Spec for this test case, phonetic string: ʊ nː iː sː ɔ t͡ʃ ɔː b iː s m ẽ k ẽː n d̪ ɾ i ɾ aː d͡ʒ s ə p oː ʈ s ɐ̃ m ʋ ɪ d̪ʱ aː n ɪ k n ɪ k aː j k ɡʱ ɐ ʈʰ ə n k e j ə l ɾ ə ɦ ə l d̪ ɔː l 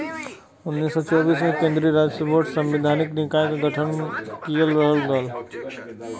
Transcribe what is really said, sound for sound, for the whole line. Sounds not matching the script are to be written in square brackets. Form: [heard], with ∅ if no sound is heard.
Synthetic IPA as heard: ʊ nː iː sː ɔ t͡ʃ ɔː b iː s m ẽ k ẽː n d̪ ɾ i ɾ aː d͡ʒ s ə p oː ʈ s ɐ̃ m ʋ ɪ d̪ʱ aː n ɪ k n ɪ k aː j k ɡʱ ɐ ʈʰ ə n k [i] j ə l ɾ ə ɦ ə l d̪ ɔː l